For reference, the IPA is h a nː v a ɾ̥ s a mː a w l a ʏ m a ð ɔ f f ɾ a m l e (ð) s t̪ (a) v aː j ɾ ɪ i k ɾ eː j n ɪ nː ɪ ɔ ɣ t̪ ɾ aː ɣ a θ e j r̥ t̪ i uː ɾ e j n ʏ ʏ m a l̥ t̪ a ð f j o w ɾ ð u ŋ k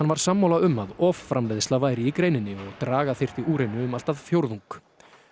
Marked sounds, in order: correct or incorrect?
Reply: correct, correct

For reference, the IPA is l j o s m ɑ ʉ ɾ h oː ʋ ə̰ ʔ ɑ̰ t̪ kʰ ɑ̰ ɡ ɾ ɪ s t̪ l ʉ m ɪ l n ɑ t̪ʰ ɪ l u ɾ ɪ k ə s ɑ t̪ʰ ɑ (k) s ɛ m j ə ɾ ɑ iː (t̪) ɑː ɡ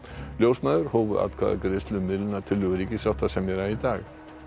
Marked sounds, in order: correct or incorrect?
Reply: incorrect, incorrect

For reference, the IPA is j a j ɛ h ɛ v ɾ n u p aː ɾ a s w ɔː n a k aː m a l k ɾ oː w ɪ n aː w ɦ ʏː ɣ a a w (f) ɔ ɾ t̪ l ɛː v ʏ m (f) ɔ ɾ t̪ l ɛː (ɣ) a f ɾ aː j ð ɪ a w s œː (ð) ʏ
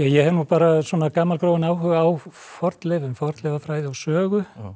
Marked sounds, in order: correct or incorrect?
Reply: correct, correct, incorrect, incorrect

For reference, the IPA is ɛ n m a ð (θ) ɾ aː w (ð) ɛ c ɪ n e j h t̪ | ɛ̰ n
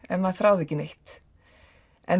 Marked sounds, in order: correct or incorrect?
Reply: correct, correct

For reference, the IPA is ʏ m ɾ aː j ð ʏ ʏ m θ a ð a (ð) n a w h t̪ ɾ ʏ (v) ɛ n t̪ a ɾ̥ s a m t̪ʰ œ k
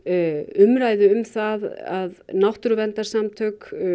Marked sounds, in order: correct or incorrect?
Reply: correct, correct

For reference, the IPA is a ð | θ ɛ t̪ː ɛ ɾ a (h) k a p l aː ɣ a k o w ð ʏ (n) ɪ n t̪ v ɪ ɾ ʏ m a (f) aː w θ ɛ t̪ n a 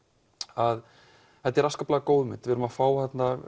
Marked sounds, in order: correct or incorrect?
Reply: incorrect, incorrect, correct

